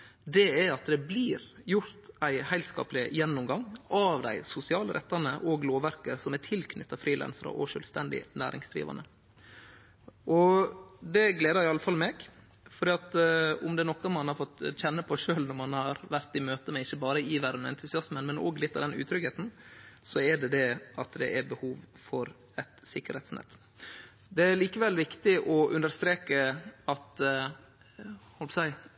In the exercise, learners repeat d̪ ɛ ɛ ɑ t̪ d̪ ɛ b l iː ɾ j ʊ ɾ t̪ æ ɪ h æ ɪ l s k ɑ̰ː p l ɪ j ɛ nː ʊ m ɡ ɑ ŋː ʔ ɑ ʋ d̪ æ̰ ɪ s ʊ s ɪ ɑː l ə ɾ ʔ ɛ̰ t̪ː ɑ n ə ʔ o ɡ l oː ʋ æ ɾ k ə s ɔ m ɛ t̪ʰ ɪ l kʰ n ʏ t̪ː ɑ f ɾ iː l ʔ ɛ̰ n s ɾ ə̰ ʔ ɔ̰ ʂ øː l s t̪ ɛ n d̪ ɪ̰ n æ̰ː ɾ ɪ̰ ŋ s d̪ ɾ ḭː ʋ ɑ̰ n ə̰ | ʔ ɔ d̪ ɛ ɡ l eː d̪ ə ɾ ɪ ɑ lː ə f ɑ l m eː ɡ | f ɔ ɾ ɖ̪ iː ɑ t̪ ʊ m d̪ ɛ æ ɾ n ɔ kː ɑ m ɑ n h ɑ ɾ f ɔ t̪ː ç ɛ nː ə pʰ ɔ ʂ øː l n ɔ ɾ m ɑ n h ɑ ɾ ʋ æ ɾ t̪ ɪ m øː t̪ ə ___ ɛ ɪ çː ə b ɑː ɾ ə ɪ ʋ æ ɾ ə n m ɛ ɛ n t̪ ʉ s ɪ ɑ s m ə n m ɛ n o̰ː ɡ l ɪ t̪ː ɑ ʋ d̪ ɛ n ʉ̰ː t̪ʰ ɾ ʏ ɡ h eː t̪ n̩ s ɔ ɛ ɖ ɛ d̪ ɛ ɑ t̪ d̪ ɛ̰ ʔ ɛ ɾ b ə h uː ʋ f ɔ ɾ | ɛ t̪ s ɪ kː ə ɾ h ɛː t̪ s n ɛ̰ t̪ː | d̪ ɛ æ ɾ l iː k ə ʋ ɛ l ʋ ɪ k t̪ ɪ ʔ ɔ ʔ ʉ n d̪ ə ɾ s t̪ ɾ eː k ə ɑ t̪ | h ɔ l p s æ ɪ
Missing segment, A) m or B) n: A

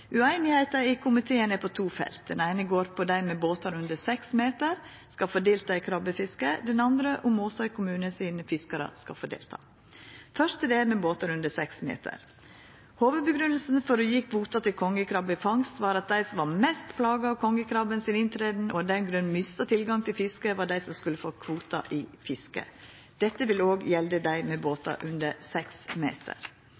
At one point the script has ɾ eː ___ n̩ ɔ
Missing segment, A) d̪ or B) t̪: A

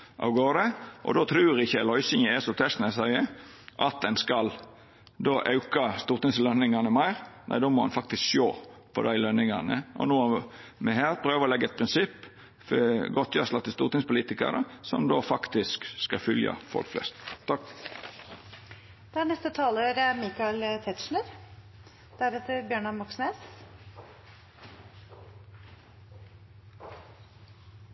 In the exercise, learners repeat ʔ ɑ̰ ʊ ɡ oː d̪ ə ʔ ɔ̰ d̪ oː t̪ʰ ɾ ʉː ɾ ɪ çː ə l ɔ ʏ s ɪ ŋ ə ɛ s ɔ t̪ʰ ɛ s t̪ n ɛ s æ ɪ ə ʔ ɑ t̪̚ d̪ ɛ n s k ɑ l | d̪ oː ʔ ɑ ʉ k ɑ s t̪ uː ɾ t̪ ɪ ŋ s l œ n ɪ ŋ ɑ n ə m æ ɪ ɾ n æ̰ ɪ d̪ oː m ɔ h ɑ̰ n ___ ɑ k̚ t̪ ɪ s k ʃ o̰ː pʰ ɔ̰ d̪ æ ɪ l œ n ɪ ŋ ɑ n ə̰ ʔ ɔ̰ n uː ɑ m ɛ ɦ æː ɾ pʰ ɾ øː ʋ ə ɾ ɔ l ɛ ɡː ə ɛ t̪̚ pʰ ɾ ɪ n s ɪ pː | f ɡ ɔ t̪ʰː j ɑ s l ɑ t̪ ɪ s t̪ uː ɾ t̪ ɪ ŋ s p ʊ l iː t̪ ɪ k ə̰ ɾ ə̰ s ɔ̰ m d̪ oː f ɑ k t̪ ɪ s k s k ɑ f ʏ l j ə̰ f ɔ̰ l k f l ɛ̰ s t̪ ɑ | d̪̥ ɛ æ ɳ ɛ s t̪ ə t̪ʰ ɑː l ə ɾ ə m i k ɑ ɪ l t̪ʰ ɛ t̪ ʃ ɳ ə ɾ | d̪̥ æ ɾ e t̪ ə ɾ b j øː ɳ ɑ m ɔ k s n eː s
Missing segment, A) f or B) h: A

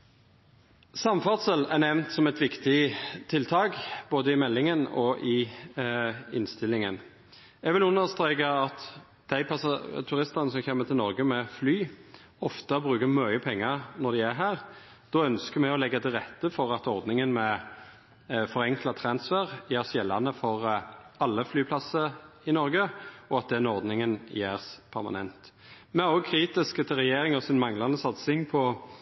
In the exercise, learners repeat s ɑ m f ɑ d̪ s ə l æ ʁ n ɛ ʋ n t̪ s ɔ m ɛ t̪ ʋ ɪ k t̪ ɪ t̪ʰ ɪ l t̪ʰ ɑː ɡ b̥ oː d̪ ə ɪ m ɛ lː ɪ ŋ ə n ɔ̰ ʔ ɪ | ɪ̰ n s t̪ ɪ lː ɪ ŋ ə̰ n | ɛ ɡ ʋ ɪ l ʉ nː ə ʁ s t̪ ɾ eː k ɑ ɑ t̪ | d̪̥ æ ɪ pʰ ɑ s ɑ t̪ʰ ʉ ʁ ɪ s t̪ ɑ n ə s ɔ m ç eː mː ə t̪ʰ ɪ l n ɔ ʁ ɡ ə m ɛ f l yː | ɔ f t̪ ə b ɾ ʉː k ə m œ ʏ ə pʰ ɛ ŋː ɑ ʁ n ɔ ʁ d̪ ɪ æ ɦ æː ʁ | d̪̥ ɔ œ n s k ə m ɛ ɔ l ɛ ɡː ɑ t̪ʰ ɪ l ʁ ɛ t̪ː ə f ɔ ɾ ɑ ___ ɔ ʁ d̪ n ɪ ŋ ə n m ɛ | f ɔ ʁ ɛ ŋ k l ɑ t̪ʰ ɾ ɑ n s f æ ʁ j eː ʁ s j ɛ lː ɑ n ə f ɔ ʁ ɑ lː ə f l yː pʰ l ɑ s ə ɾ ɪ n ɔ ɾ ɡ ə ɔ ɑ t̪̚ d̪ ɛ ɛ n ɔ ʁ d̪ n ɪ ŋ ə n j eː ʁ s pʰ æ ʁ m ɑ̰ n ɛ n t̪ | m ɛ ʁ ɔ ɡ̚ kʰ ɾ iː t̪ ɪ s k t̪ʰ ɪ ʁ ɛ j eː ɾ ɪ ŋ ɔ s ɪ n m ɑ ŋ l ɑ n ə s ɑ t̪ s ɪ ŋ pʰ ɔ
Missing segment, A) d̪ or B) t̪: B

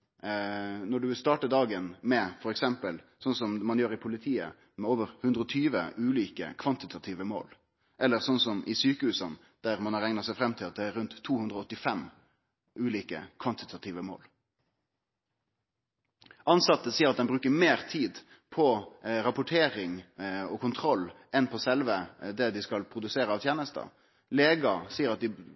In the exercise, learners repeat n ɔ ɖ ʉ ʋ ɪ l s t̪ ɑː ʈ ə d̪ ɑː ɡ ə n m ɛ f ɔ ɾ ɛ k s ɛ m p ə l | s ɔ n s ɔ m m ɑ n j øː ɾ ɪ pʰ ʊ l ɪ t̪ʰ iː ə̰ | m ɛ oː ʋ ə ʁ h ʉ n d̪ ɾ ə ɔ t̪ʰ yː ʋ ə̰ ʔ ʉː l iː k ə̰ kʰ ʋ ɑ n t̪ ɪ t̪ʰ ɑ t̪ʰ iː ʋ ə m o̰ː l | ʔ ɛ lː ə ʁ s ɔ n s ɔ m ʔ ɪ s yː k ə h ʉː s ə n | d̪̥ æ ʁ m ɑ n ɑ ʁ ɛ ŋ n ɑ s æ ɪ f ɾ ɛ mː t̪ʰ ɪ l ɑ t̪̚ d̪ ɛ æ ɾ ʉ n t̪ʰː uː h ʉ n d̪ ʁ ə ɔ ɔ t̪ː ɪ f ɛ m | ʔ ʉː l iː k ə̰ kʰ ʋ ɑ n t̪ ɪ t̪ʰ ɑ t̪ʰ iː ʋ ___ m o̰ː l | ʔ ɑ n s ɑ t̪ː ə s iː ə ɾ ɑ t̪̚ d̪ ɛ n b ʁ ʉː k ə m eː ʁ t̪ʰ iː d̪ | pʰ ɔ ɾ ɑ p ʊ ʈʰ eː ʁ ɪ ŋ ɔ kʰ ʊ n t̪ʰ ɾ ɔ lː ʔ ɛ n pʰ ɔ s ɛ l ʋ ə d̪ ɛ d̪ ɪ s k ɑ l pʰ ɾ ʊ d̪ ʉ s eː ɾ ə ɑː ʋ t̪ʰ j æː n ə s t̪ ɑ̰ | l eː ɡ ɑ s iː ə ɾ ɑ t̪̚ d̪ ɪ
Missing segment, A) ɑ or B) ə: B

